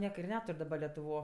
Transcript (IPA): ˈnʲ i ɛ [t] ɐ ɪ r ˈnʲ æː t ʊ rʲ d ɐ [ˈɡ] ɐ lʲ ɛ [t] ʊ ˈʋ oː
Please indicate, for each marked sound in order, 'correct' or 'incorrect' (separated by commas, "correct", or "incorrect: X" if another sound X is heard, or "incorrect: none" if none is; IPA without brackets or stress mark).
incorrect: k, incorrect: b, correct